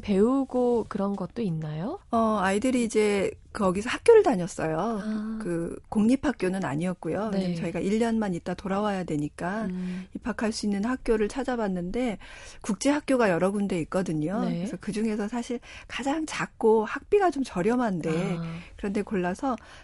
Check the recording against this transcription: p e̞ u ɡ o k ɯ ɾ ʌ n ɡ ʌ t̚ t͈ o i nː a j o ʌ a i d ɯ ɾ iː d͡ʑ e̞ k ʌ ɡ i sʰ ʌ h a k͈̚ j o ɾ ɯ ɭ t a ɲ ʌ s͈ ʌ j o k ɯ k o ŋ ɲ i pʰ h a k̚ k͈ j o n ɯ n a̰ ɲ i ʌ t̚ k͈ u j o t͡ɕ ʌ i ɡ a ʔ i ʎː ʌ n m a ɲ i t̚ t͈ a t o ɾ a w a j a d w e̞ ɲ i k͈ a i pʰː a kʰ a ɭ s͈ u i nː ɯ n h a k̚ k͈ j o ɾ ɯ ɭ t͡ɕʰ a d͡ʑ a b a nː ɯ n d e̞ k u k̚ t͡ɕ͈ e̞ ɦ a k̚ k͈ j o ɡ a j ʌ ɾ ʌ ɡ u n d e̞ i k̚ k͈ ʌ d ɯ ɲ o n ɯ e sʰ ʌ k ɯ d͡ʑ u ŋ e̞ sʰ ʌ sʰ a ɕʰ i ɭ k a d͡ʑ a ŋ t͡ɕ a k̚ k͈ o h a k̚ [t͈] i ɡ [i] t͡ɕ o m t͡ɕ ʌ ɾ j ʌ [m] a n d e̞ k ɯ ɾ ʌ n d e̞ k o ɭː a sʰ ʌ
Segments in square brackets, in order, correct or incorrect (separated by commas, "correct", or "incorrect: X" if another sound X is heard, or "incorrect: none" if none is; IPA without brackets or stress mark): incorrect: p͈, incorrect: a, correct